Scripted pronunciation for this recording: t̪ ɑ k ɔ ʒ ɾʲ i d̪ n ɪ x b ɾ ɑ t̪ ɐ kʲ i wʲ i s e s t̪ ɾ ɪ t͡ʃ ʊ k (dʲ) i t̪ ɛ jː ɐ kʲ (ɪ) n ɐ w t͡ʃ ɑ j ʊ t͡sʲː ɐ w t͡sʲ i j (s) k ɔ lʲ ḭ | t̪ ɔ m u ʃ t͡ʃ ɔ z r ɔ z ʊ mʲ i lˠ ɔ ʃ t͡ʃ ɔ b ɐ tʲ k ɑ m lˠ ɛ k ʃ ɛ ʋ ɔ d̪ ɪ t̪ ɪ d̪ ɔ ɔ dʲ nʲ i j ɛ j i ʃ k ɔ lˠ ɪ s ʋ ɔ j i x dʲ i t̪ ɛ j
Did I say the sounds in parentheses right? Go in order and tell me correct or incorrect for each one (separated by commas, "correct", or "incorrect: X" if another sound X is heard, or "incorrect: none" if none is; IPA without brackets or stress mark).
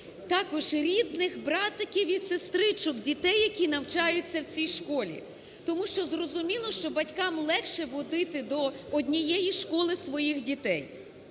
correct, incorrect: i, incorrect: ʃ